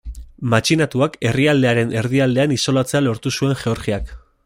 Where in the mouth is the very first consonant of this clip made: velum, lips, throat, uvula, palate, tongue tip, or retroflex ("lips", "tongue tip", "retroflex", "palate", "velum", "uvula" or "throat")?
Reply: lips